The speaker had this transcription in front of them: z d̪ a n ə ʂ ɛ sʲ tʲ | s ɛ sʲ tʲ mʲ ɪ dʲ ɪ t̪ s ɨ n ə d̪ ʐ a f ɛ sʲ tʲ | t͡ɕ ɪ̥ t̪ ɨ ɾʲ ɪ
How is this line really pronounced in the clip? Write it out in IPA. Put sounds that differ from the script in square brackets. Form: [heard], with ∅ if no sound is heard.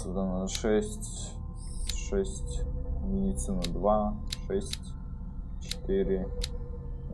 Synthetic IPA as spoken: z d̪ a n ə ʂ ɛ sʲ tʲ | [ʂ] ɛ sʲ tʲ mʲ ɪ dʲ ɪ t̪ s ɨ n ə d̪ [v] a [ʂ] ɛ sʲ tʲ | t͡ɕ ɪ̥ t̪ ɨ ɾʲ ɪ